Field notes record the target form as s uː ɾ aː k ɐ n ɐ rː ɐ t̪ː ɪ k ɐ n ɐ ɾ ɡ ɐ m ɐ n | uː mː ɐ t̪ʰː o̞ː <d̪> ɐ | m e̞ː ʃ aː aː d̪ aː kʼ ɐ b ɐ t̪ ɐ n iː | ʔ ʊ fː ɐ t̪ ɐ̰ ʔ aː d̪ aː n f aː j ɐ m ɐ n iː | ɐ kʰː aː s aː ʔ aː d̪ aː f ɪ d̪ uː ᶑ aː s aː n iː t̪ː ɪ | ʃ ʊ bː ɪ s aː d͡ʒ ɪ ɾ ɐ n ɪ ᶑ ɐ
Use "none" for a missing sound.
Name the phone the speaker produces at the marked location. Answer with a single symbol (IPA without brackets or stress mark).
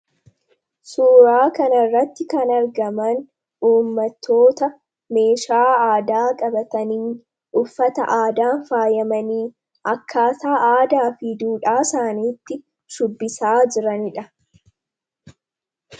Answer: t̪